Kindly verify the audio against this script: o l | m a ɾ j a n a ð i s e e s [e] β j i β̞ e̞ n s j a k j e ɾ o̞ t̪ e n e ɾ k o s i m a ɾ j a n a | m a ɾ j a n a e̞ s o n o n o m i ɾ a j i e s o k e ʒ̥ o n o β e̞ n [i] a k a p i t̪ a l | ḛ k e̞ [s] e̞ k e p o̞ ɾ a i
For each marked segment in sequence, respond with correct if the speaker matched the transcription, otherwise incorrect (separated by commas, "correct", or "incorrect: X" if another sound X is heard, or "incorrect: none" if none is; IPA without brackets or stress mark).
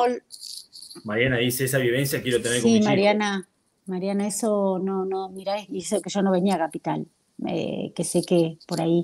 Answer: incorrect: a, correct, correct